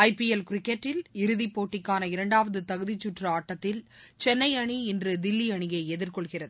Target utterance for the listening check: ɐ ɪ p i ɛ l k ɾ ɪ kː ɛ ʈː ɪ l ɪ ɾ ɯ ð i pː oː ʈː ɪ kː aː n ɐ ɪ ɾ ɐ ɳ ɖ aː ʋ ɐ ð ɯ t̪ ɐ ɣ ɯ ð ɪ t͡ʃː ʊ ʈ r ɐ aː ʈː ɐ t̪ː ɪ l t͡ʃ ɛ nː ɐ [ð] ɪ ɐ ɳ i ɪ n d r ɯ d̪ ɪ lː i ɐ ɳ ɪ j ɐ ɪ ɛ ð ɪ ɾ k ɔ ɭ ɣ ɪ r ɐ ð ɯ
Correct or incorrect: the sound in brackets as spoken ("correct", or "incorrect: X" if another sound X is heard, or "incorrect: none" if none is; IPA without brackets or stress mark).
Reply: incorrect: none